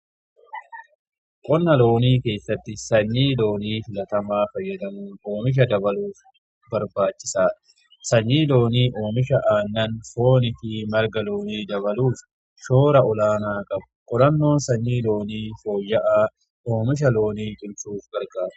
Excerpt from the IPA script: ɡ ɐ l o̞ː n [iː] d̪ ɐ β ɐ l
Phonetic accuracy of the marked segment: correct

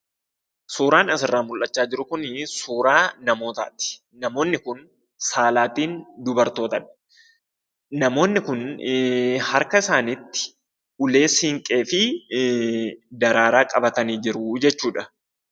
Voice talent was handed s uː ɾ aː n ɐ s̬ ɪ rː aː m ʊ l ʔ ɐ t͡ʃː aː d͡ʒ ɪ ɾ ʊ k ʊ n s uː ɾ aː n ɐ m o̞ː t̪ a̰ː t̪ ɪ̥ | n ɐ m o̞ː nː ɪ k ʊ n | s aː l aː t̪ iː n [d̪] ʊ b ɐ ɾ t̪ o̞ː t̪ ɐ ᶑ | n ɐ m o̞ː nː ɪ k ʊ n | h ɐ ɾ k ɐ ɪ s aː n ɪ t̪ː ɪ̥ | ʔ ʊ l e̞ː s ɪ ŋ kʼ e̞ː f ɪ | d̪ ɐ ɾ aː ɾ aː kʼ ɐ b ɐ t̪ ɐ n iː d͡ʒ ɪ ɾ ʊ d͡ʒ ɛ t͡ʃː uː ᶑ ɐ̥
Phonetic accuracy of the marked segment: correct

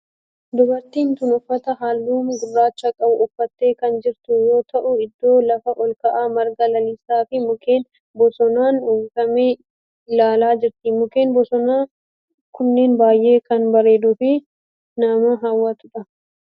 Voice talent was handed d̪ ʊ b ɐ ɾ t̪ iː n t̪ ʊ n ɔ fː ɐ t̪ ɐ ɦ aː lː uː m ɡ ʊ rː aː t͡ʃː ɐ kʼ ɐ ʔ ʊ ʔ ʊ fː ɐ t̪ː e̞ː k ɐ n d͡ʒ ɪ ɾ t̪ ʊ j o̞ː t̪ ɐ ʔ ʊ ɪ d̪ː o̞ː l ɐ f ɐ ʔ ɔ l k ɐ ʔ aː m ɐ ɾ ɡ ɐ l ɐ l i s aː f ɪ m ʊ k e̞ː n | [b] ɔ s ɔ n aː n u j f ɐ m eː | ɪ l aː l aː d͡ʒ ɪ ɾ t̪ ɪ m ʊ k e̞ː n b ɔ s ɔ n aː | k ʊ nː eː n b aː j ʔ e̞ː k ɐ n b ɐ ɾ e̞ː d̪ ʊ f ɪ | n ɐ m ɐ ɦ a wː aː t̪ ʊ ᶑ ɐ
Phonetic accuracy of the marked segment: correct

